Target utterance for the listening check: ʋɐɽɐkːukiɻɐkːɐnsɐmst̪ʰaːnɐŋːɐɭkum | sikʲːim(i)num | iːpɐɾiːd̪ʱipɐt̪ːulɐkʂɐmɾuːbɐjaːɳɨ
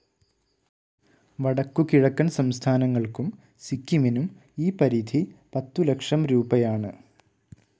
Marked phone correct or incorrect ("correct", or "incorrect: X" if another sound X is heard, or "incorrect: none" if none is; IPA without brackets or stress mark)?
correct